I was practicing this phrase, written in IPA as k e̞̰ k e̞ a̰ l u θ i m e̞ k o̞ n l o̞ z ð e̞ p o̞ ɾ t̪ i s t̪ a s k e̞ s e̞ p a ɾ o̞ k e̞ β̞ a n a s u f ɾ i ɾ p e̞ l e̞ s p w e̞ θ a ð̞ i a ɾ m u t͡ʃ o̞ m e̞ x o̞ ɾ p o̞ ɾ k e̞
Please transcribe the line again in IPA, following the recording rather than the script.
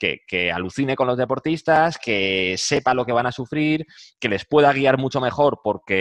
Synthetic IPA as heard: k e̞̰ k e̞ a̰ l u θ i n e̞ k o̞ n l o̞ z ð e̞ p o̞ ɾ t̪ i s t̪ a s k e̞ s e̞ p a l o̞ k e̞ β̞ a n a s u f ɾ i ɾ k e̞ l e̞ s p w e̞ ð a ɣ̞ i a ɾ m u t͡ʃ o̞ m e̞ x o̞ ɾ p o̞ ɾ k e̞